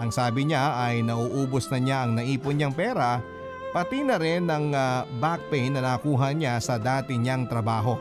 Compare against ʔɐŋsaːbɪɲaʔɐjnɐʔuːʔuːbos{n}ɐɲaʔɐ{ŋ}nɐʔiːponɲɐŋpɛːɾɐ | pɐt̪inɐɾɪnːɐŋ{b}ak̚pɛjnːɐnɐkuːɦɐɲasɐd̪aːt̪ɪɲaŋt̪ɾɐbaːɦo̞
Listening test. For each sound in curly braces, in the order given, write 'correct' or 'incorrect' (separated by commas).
correct, correct, correct